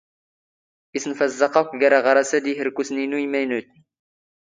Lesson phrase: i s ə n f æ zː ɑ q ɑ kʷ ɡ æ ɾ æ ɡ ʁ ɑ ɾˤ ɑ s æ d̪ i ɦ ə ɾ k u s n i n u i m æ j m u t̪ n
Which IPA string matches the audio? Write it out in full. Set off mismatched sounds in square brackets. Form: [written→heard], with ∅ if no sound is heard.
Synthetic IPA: i s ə n f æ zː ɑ q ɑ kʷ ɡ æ ɾ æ [ɡ→∅] ʁ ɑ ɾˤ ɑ s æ d̪ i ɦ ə ɾ k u s n i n u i m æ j [m→n] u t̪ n

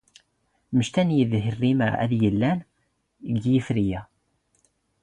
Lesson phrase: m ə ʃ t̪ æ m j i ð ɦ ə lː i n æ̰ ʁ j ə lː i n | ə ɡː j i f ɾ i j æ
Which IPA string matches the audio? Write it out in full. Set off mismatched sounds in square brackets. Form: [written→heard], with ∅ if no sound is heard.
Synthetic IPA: m ə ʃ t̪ æ [m→n] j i ð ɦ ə [lː→rː] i [n→m] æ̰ [ʁ→ð] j ə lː [i→æ] n | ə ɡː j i f ɾ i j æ

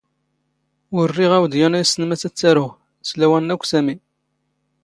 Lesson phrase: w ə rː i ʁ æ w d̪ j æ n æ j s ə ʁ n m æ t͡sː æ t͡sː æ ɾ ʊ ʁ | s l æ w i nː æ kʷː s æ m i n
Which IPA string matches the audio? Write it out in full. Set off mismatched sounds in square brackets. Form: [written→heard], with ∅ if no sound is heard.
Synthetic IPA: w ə rː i ʁ æ w d̪ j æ n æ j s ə [ʁ→∅] n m æ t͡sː æ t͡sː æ ɾ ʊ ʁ | s l æ w [i→æ] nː æ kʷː s æ m i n

